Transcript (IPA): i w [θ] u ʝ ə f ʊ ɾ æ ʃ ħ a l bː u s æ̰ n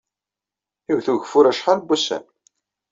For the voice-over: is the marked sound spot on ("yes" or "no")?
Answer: yes